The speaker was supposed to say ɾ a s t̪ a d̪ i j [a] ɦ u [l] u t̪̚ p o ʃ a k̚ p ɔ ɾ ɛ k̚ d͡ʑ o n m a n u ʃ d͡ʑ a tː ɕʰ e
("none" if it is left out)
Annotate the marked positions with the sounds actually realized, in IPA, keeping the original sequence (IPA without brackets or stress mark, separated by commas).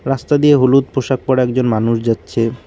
e, l